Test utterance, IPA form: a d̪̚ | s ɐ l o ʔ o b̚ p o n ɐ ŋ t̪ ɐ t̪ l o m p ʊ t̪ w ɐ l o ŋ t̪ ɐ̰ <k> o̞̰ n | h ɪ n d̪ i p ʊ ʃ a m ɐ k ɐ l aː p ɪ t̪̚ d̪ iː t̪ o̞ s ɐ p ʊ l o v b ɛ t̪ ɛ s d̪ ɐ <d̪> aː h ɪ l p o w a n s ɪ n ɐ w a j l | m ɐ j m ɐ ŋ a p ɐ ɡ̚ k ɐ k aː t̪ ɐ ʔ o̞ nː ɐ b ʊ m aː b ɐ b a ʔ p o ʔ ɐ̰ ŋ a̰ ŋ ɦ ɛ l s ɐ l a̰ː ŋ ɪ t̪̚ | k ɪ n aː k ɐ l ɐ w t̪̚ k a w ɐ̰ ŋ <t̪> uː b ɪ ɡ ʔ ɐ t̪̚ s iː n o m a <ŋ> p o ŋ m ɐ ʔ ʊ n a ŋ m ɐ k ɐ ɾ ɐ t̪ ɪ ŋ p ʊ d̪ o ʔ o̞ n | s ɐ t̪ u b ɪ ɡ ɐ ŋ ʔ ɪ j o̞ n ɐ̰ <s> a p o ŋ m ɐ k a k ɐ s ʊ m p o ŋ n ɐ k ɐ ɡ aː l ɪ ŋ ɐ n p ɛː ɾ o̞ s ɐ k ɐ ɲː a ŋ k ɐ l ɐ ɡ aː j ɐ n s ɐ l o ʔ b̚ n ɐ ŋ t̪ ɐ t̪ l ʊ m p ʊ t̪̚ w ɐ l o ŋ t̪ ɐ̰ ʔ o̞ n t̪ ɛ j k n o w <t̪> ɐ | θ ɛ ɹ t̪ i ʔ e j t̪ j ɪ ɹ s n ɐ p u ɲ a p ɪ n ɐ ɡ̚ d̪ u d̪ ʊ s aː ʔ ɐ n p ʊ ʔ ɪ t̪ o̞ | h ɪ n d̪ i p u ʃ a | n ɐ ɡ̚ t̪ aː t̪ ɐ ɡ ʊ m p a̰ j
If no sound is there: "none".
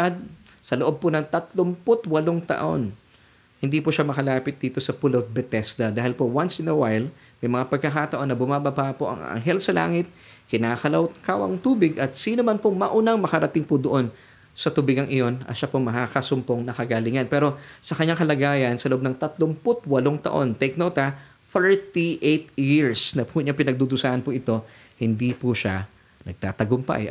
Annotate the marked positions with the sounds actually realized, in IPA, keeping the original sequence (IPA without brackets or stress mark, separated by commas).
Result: ʔ, d̪, t̪, n, ʃ, t̪